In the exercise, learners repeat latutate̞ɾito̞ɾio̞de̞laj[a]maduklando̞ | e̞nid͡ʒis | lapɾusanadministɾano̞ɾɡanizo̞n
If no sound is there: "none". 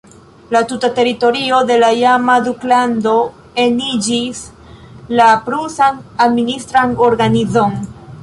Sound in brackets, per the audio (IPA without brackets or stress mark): a